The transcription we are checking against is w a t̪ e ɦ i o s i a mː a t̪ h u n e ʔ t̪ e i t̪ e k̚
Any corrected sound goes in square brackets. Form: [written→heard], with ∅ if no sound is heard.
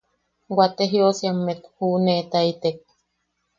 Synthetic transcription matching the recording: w a t̪ e ɦ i o s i a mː [a→e] t̪ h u n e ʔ t̪ [e→a] i t̪ e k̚